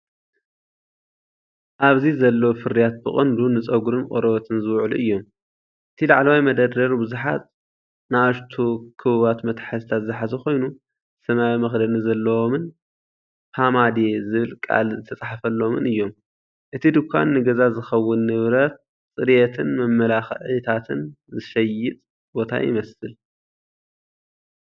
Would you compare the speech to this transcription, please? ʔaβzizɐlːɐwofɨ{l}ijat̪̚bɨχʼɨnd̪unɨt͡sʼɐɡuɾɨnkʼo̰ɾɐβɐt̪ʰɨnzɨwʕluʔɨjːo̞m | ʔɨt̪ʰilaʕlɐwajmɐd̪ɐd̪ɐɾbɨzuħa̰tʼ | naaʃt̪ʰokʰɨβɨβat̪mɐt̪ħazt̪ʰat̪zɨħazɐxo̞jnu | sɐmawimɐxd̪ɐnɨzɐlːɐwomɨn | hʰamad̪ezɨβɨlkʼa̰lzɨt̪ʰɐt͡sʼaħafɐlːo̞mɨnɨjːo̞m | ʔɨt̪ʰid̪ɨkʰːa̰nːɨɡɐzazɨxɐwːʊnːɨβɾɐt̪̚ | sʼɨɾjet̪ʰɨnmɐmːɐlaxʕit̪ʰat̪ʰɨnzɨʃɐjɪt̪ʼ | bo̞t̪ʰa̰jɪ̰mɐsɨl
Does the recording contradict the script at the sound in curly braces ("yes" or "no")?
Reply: yes